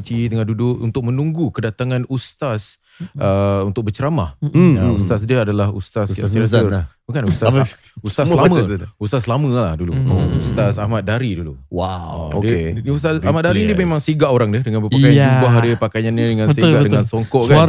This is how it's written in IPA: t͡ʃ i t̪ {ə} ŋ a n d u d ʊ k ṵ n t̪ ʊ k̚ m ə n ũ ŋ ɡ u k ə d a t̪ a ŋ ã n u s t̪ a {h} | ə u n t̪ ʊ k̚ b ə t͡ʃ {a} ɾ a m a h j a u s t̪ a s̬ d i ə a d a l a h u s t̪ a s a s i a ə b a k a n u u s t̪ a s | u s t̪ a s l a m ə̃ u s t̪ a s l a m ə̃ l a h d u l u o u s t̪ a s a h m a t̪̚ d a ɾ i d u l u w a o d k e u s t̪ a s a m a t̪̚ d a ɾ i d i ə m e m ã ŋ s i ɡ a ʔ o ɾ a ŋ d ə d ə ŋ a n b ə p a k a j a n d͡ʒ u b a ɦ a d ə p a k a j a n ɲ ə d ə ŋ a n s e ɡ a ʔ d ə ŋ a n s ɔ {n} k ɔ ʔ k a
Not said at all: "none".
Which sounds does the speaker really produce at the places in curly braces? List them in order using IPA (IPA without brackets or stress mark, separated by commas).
ə, s, ə, ŋ